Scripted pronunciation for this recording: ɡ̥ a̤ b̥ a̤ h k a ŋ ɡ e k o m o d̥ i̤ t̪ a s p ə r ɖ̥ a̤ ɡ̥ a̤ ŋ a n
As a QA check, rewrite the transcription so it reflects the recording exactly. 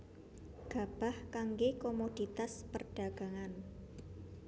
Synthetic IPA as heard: ɡ̥ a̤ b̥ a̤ h k a ŋ ɡ e k o m o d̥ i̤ t̪ a s p ə r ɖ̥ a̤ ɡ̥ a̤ ŋ a n